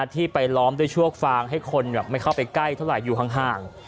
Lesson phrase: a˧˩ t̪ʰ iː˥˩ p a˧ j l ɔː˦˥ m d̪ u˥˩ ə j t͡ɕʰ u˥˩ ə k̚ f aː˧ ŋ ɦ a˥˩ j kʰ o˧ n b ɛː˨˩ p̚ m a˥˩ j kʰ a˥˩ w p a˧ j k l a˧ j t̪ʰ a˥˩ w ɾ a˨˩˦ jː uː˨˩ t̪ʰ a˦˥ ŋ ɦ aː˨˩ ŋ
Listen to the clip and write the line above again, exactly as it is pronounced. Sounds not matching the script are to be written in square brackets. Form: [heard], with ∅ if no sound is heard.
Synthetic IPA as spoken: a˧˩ t̪ʰ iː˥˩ p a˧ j l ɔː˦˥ m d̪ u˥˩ ə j t͡ɕʰ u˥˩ ə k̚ f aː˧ ŋ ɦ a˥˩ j kʰ o˧ n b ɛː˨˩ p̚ m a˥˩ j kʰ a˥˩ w p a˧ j k l [a˥˩] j t̪ʰ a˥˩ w ɾ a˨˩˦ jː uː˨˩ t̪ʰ a˦˥ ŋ ɦ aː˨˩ ŋ